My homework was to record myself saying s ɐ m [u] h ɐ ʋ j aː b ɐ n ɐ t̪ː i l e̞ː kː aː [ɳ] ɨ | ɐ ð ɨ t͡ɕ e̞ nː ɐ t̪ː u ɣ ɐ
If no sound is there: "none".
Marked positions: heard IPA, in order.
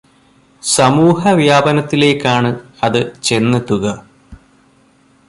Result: uː, ɳ

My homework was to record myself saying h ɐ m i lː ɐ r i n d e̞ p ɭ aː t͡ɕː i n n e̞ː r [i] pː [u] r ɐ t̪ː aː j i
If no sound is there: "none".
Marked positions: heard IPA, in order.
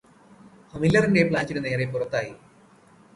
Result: e, u

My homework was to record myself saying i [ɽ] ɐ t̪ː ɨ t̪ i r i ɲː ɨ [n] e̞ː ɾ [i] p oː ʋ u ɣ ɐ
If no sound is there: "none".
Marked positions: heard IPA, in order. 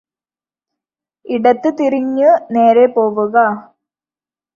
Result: ɽ, n, e

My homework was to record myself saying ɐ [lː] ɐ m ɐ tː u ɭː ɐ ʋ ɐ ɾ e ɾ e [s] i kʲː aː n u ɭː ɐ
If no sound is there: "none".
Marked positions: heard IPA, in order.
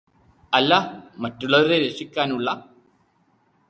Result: lː, ʂ

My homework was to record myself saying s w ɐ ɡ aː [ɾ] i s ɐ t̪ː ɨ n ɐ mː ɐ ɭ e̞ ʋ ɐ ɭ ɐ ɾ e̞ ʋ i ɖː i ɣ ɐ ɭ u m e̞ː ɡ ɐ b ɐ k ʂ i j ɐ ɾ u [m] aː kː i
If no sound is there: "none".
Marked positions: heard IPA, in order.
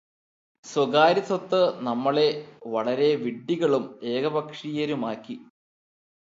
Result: ɾ, m

